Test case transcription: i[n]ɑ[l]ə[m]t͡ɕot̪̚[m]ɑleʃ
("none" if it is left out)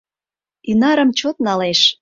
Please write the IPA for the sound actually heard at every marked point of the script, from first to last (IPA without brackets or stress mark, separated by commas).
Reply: n, ɾ, m, n